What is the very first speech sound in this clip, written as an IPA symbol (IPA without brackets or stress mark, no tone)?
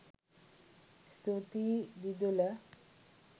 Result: s